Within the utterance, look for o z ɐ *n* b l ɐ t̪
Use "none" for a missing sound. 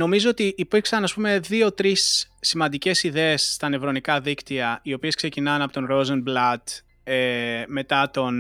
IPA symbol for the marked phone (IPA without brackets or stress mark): n